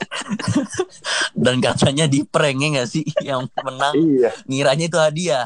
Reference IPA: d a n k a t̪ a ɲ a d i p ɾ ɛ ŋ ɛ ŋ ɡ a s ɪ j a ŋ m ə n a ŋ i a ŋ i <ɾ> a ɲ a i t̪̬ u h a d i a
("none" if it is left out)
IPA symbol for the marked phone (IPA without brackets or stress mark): ɾ